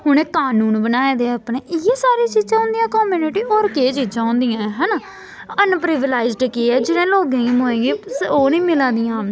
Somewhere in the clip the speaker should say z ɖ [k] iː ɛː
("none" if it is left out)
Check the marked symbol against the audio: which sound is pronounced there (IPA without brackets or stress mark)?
k